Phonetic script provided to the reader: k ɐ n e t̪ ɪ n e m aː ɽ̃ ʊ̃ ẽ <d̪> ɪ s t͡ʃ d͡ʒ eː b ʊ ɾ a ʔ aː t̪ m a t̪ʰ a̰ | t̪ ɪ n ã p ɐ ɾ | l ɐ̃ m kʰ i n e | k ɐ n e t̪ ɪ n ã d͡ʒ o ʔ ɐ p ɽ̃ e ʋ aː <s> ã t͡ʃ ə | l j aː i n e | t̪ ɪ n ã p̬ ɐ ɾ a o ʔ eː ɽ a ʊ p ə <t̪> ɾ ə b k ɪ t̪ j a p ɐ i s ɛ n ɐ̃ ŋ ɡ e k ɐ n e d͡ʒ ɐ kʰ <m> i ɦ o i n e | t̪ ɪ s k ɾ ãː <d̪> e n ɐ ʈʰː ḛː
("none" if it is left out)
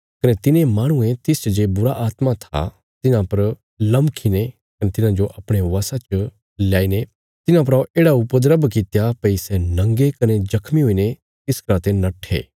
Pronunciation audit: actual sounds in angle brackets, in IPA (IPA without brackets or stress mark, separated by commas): t̪, s, d̪, m, t̪